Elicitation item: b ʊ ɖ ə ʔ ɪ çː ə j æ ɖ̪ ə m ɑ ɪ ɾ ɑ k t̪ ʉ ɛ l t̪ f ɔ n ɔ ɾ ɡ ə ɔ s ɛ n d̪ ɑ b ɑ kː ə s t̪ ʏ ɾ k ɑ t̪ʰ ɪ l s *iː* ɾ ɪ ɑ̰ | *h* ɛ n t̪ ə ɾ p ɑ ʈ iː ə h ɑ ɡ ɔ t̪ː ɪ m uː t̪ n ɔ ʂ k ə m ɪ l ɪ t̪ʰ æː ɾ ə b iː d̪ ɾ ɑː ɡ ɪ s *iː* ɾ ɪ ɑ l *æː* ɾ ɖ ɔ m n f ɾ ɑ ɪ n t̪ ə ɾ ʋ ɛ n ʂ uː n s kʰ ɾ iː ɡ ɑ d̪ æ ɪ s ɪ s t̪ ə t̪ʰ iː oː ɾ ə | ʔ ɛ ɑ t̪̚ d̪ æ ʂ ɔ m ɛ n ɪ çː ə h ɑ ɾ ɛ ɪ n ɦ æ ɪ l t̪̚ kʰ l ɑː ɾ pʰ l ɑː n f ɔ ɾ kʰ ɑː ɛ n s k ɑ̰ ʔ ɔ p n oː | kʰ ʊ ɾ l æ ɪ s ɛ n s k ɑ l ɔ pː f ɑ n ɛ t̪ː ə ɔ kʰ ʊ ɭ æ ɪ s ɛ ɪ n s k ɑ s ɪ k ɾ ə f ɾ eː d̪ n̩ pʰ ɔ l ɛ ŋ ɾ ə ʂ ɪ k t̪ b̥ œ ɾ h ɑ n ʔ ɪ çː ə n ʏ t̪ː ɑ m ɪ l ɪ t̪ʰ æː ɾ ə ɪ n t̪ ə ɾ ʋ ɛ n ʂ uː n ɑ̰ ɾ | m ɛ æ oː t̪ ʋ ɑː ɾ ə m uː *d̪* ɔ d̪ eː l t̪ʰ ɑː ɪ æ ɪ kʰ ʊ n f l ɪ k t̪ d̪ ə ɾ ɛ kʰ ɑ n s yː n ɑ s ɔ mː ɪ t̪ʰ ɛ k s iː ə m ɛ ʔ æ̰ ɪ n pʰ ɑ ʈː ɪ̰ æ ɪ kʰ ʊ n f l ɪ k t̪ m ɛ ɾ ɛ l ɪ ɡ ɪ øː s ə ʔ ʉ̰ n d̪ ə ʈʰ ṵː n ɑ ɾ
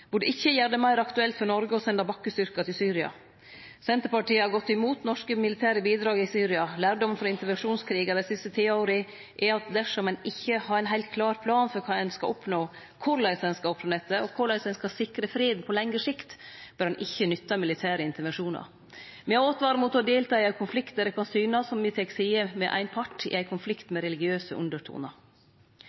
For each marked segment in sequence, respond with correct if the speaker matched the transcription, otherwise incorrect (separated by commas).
incorrect, incorrect, incorrect, correct, incorrect